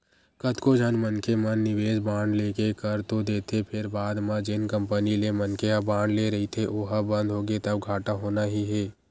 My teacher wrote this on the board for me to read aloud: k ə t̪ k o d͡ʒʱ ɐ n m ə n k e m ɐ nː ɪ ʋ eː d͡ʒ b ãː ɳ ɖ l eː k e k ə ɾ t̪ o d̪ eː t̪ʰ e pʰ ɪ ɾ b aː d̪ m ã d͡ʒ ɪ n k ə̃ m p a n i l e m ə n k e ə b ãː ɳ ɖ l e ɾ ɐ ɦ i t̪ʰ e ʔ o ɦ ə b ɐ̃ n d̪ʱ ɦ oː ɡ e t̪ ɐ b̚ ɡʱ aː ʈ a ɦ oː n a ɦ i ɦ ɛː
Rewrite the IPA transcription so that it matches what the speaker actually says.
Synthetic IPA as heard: k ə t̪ k o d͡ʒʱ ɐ n m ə n k e m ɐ nː ɪ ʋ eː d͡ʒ b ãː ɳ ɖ l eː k e k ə ɾ t̪ o d̪ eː t̪ʰ e pʰ ɪ ɾ b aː d̪ m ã d͡ʒ ɪ n k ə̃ m p ə n i l e m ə n k e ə b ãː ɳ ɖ l e ɾ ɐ ɦ i t̪ʰ e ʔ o ɦ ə b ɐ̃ n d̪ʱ ɦ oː ɡ e t̪ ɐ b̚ ɡʱ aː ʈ a ɦ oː n a ɦ i ɦ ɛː